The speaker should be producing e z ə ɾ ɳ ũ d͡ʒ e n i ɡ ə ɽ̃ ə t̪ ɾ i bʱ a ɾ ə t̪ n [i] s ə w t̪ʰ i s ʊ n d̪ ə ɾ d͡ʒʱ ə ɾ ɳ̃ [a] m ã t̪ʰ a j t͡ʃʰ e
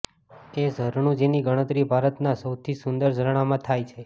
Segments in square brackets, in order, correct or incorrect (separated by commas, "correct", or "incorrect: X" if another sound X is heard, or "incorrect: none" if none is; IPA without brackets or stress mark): incorrect: a, correct